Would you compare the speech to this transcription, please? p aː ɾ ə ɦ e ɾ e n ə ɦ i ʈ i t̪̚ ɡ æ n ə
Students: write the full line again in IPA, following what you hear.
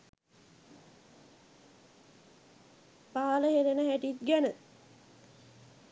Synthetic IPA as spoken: p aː l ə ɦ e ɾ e n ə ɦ æ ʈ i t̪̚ ɡ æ n ə

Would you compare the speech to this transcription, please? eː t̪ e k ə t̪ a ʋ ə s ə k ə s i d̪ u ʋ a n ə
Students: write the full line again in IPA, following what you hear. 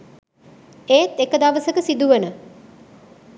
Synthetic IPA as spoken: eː t̪ e k ə d̪ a ʋ ə s ə k ə s i d̪ u ʋ ə n ə

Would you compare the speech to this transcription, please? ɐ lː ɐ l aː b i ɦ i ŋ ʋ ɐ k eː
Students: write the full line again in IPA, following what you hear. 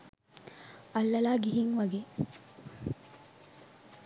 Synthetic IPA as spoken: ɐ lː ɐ l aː ɡ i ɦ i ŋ ʋ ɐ ɡ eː

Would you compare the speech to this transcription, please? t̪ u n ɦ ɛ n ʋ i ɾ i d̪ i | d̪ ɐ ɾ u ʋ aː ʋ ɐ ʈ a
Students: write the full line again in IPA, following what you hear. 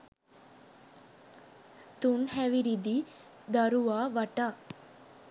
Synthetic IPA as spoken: t̪ u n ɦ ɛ ʋ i ɾ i d̪ i | d̪ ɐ ɾ u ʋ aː ʋ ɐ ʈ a

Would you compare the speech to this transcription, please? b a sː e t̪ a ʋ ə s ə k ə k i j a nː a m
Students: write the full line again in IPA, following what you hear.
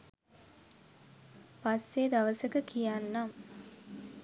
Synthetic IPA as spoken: p a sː e d̪ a ʋ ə s ə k ə k i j a nː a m

